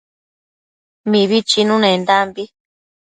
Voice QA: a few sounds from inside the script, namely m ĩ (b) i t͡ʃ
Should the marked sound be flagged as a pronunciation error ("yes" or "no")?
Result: yes